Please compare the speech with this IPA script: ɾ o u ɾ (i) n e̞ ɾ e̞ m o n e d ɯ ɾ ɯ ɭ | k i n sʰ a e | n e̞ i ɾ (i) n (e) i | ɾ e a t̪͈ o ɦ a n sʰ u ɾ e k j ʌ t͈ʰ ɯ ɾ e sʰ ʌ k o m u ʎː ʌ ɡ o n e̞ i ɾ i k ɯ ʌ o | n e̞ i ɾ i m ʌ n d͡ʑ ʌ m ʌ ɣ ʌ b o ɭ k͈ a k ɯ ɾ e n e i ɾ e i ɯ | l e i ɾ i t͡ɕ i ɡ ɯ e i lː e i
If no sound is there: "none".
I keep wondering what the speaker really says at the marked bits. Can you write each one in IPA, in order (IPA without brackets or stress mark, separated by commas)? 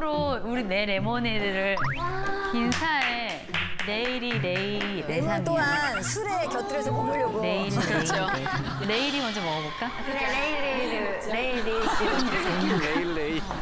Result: i, i, e